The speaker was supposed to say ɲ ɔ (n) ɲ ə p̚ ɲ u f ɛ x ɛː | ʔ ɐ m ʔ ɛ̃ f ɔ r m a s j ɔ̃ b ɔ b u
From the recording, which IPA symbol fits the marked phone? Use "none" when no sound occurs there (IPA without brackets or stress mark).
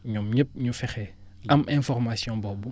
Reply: m